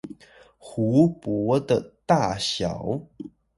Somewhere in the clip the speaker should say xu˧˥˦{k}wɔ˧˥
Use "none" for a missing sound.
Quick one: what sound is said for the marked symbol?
p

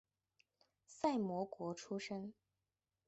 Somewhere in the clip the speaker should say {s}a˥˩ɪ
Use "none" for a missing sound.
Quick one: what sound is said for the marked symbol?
s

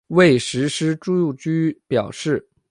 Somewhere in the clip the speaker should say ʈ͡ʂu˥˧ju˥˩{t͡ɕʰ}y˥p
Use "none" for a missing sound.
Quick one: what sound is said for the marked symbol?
t͡ɕ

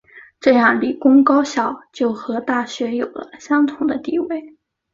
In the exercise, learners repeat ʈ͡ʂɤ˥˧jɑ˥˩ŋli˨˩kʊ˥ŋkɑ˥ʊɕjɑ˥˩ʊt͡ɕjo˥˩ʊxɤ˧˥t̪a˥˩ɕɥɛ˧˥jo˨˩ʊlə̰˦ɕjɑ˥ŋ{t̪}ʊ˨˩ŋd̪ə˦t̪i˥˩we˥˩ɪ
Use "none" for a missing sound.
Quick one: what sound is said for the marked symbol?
t̪ʰ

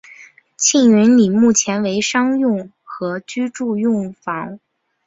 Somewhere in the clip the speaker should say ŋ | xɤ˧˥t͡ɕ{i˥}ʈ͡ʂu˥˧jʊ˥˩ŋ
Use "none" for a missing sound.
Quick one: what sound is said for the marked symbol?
y˥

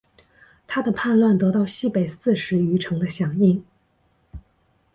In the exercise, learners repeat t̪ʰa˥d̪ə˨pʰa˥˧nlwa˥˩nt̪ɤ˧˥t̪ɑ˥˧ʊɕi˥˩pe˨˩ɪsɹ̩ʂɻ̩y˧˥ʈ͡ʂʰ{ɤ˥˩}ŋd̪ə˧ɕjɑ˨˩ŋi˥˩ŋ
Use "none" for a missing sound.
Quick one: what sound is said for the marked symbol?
ɤ˧˥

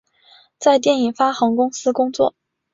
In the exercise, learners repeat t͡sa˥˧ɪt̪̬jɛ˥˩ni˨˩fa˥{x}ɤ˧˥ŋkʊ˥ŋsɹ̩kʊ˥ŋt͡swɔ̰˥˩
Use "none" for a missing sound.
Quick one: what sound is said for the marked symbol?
x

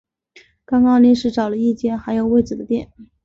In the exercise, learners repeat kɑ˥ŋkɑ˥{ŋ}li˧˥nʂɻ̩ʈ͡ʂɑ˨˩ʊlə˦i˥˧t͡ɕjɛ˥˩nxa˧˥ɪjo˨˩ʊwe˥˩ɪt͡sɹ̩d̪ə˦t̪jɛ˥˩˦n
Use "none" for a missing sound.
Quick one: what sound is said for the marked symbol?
ŋ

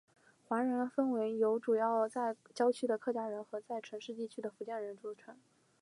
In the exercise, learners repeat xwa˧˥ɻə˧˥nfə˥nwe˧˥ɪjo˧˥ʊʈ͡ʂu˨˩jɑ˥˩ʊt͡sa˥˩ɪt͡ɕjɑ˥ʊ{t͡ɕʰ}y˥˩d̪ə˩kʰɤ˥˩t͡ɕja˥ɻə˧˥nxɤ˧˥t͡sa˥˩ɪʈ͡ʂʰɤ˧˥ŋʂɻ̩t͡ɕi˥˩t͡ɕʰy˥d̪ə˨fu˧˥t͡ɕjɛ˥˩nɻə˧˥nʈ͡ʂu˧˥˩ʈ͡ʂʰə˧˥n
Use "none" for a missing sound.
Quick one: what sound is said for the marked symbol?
t͡ɕʰ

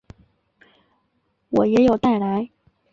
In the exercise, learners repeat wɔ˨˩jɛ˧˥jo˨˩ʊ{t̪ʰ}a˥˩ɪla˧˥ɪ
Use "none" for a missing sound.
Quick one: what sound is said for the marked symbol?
t̪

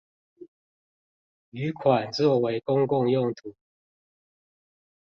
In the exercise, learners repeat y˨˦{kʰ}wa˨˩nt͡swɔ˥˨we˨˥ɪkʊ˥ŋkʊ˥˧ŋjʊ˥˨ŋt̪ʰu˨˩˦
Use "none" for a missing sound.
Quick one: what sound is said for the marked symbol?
kʰ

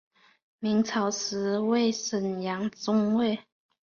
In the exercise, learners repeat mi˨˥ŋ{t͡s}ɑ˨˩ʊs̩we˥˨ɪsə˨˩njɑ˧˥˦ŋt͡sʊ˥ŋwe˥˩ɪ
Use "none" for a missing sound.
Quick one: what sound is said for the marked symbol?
t͡sʰ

